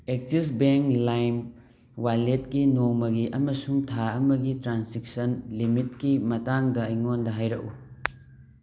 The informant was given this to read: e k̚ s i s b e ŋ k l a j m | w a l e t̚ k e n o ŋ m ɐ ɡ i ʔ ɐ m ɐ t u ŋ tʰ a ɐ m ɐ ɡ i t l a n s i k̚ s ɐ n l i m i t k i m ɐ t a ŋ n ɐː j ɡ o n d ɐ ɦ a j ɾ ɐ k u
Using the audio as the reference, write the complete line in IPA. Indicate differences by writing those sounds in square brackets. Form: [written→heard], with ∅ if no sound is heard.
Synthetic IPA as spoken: e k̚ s i s b e ŋ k l a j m | w a l e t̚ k [e→i] n o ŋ m ɐ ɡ i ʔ ɐ m ɐ [t→s] u ŋ tʰ a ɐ m ɐ ɡ i t [l→ɾ] a n s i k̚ s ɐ n l i m i t k i m ɐ t a ŋ [n→d] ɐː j [ɡ→ŋ] o n d ɐ ɦ a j ɾ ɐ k u